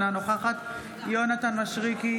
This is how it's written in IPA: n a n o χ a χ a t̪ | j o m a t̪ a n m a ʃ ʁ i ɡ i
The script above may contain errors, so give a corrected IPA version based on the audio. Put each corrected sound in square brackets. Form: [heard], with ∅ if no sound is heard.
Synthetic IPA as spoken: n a n o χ a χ a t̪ | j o [n] a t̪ a n m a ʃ ʁ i [k] i